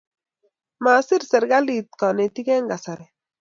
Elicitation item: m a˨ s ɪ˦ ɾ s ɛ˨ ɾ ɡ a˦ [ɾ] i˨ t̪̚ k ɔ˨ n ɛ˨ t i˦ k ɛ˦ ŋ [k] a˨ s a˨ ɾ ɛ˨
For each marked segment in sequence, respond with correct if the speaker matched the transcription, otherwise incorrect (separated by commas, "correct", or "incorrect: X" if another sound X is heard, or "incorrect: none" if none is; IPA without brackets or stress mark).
incorrect: l, incorrect: ɡ